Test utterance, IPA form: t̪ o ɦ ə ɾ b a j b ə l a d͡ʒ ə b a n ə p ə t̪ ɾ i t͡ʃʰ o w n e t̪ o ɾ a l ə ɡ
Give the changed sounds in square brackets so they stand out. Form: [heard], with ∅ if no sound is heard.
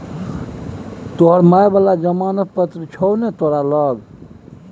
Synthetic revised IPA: t̪ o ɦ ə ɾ [m] a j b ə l a d͡ʒ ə [m] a n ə p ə t̪ ɾ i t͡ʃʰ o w n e t̪ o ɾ a l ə ɡ